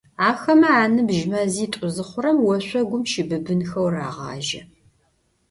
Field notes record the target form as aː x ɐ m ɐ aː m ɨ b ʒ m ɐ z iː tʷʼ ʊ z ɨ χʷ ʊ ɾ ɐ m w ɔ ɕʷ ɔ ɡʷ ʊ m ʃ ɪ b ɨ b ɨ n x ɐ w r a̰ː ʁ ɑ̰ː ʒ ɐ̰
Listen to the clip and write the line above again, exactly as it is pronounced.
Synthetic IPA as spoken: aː x ɐ m ɐ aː n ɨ b ʒ m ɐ z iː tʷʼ ʊ z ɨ χʷ ʊ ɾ ɐ m w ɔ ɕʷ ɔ ɡʷ ʊ m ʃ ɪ b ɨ b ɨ n x ɐ w r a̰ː ʁ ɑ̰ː ʒ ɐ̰